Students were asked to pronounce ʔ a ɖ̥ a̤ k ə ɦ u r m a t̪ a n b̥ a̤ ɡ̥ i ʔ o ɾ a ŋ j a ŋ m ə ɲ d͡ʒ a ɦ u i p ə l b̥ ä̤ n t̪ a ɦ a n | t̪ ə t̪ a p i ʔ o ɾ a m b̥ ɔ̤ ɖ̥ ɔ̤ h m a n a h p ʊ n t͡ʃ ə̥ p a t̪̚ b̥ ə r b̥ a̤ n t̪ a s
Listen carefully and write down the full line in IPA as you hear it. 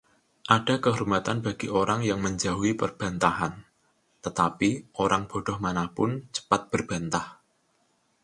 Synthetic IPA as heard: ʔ a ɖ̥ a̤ k ə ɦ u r m a t̪ a n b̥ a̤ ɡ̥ i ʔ o ɾ a ŋ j a ŋ m ə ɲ d͡ʒ a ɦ u i p ə r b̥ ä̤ n t̪ a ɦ a n | t̪ ə t̪ a p i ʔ o ɾ a ŋ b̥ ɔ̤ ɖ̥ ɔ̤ h m a n a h p ʊ n t͡ʃ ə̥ p a t̪̚ b̥ ə r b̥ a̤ n t̪ a h